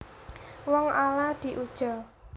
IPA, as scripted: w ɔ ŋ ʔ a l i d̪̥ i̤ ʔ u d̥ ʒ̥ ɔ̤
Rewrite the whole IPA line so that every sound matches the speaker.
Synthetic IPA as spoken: w ɔ ŋ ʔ a l a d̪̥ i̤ ʔ u d̥ ʒ̥ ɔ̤